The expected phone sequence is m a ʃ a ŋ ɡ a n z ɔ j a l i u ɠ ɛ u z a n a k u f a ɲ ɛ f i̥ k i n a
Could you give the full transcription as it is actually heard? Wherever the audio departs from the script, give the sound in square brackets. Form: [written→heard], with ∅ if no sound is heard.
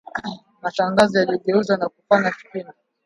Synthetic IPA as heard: m a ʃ a ŋ ɡ a [n→∅] z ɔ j a l i [u→ɔ] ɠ ɛ u z a n a k u f a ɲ [ɛ→a] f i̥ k i n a